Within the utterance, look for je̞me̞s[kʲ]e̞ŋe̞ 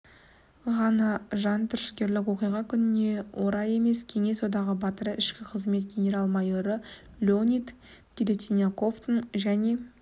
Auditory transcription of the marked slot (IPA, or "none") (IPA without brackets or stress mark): kʲʰ